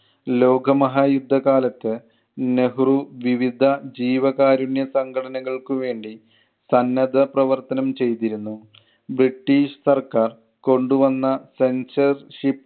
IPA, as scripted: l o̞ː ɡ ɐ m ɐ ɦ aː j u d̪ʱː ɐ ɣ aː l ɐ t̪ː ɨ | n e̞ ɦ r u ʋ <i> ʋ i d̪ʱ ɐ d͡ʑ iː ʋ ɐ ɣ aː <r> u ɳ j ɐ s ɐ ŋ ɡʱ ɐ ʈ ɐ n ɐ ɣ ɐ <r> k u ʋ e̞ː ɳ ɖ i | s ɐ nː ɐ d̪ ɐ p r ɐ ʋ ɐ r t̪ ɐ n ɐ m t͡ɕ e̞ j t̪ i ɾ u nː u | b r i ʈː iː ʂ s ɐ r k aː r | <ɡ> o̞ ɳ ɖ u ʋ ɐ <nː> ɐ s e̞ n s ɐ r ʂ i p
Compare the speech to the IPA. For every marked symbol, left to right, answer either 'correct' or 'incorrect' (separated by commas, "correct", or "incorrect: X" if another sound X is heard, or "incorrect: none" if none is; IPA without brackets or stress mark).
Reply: correct, incorrect: ɾ, incorrect: ɭ, incorrect: k, correct